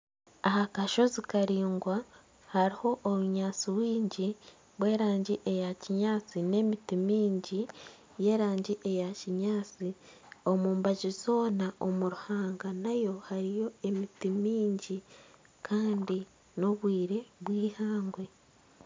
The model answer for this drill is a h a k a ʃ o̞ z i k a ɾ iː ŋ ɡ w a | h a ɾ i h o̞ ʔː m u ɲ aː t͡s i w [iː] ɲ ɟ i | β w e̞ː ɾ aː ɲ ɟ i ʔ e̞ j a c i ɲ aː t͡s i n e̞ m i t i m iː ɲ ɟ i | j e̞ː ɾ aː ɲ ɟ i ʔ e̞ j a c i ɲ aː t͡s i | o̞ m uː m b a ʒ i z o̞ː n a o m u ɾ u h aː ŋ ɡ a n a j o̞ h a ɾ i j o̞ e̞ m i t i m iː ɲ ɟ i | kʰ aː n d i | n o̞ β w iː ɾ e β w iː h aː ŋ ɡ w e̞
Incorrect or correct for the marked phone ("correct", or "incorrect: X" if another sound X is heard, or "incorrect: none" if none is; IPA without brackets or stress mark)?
correct